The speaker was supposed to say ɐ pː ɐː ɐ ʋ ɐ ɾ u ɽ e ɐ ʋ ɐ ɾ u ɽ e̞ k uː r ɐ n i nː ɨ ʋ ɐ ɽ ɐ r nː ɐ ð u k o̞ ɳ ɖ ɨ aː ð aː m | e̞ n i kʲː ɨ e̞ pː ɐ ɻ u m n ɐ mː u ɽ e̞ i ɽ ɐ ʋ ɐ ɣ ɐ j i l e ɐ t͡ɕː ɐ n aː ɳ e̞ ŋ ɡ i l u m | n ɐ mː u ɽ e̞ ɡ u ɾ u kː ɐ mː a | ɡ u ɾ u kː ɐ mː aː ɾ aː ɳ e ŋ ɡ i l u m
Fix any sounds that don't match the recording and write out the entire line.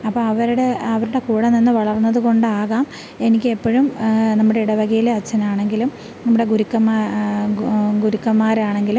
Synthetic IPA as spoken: ɐ pː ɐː ɐ ʋ ɐ ɾ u ɽ e ɐ ʋ ɐ ɾ u ɽ e̞ k uː ɽ ɐ n i nː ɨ ʋ ɐ ɭ ɐ r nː ɐ ð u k o̞ ɳ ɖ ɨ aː ɣ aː m | e̞ n i kʲː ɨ e̞ pː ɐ ɻ u m n ɐ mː u ɽ e̞ i ɽ ɐ ʋ ɐ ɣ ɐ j i l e ɐ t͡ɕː ɐ n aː ɳ e̞ ŋ ɡ i l u m | n ɐ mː u ɽ e̞ ɡ u ɾ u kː ɐ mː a | ɡ u ɾ u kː ɐ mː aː ɾ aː ɳ e ŋ ɡ i l u m